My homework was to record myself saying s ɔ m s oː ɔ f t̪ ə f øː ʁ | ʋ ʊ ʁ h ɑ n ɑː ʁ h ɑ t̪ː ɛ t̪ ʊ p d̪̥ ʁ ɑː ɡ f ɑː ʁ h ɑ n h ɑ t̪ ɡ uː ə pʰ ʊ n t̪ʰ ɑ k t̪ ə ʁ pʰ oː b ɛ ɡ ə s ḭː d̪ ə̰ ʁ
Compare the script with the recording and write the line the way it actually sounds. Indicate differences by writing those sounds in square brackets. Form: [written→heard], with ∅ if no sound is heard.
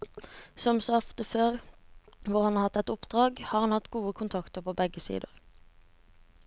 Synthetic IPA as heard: s ɔ m s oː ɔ f t̪ ə f øː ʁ | ʋ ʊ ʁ h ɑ n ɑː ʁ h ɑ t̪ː ɛ t̪ ʊ p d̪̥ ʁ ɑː ɡ [f→h] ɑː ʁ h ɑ n h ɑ t̪ ɡ uː ə [pʰ→kʰ] ʊ n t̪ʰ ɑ k t̪ ə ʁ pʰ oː b ɛ ɡ ə s ḭː d̪ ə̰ ʁ